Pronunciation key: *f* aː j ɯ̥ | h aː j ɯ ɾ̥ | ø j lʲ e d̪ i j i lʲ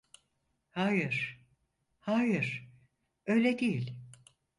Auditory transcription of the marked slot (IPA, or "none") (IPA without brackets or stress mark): h